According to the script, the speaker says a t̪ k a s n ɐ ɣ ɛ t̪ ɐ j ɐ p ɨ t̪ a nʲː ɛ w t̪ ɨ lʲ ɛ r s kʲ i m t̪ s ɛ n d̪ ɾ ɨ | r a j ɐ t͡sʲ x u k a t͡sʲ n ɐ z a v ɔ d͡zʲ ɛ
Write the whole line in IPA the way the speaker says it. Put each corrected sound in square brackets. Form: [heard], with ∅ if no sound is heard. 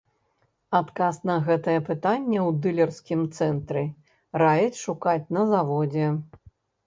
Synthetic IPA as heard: a t̪ k a s n ɐ ɣ ɛ t̪ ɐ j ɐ p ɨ t̪ a nʲː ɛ w [d̪] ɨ lʲ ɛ r s kʲ i m t̪ s ɛ n [t̪] ɾ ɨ | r a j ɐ t͡sʲ [ʂ] u k a t͡sʲ n ɐ z a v ɔ d͡zʲ ɛ